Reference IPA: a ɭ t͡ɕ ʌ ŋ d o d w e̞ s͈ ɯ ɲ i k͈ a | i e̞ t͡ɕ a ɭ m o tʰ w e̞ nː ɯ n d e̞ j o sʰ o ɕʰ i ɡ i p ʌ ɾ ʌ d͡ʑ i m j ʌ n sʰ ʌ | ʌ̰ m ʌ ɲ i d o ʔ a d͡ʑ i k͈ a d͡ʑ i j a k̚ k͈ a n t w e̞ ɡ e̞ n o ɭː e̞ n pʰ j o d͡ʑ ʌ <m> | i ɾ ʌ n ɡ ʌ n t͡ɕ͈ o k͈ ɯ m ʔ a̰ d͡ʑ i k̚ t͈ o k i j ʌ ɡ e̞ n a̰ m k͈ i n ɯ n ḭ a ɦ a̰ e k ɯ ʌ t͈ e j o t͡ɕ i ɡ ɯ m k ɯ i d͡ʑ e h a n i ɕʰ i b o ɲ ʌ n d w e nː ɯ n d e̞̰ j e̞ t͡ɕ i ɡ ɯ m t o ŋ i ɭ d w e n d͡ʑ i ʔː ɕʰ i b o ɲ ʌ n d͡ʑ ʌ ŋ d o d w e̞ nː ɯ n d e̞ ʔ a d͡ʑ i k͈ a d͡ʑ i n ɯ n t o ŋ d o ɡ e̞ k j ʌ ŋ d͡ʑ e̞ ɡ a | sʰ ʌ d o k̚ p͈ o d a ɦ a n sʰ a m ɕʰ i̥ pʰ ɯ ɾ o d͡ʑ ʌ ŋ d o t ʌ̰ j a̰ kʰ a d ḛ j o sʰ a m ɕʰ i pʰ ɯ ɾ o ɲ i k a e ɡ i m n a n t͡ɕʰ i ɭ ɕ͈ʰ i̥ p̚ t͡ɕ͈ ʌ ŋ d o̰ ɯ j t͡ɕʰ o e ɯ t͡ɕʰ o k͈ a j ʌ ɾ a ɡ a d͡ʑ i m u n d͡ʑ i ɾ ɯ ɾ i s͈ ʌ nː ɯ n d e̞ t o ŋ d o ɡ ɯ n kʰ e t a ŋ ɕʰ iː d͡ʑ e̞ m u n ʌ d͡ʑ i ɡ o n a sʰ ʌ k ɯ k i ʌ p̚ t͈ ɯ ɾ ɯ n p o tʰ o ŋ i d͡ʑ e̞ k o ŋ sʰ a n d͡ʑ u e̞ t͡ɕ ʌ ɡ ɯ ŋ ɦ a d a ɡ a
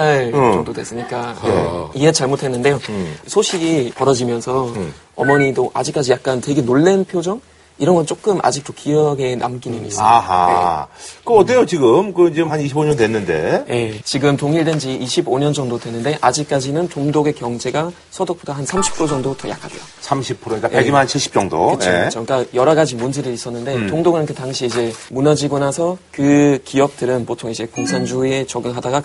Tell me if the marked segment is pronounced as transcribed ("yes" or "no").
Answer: no